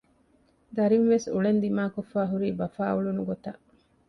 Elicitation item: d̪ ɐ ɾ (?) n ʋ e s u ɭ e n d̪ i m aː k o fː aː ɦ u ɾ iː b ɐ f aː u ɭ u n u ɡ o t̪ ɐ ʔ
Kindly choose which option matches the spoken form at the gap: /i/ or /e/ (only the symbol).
i